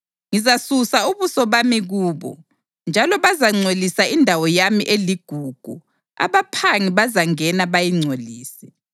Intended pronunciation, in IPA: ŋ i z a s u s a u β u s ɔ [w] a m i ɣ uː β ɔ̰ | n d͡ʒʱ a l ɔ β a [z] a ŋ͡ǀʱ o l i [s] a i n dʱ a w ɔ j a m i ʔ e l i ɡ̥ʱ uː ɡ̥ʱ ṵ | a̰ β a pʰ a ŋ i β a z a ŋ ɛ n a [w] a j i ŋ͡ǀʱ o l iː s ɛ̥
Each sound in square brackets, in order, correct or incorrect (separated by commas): incorrect, correct, correct, incorrect